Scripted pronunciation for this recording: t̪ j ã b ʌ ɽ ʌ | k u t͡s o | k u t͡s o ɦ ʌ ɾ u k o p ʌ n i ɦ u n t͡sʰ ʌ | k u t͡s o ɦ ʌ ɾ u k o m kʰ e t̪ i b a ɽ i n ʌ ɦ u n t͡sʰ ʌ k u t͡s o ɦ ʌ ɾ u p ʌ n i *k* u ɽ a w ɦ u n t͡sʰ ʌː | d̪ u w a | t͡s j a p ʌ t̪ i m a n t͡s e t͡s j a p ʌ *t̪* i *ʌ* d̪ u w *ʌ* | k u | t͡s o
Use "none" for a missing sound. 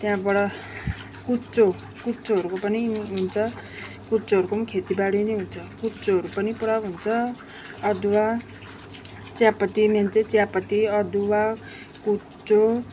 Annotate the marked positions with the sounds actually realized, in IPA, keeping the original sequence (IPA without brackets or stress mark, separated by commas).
p, t̪, ʌ, a